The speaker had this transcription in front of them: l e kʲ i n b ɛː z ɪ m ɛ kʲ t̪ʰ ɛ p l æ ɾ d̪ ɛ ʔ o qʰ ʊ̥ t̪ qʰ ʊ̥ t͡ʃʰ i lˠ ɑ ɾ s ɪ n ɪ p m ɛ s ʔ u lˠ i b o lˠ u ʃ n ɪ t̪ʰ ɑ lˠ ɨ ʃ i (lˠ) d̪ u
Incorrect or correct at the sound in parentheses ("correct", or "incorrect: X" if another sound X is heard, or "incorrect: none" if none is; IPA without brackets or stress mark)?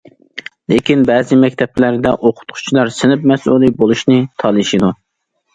incorrect: none